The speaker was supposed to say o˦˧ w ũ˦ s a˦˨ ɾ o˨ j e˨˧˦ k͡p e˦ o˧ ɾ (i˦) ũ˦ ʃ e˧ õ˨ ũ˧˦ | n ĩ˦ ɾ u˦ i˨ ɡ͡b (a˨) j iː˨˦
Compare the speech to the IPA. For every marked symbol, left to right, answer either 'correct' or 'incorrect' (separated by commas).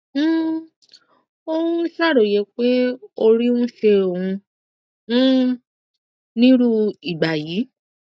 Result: correct, correct